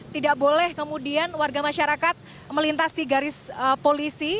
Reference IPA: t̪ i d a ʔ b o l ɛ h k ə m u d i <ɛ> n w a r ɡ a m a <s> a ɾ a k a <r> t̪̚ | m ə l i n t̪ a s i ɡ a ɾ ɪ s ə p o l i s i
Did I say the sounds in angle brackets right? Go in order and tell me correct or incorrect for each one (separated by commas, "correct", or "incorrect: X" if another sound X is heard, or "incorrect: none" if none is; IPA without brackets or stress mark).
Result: incorrect: a, incorrect: ʃ, incorrect: none